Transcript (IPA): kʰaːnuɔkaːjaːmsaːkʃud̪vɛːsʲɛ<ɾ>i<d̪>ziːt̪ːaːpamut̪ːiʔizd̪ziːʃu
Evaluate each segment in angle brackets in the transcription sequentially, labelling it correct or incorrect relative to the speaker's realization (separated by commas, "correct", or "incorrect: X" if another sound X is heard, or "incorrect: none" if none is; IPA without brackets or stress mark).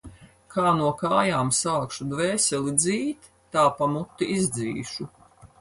incorrect: l, correct